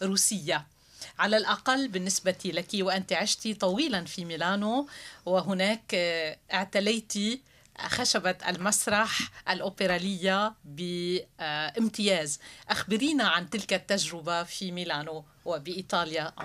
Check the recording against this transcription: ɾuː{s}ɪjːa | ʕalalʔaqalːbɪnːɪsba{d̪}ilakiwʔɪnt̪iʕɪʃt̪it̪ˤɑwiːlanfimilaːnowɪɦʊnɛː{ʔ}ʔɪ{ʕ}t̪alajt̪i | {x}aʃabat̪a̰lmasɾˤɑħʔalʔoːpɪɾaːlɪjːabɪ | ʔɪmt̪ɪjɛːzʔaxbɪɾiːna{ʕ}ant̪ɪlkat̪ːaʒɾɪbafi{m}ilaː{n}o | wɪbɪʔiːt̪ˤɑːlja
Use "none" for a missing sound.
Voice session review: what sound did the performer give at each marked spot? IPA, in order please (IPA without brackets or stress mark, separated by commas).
s, t̪, k, ʕ, x, ʕ, m, n